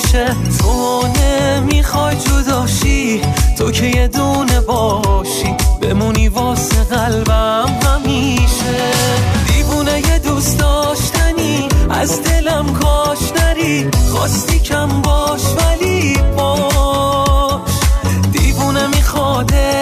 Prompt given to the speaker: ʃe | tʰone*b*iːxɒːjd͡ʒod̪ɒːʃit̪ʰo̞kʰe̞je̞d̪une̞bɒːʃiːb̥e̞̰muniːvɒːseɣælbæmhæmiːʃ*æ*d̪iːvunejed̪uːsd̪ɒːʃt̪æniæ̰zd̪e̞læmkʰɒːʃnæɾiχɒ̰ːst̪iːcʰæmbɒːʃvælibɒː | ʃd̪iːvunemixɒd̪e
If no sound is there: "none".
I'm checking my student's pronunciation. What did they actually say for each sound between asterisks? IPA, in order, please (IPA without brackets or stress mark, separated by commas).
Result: m, e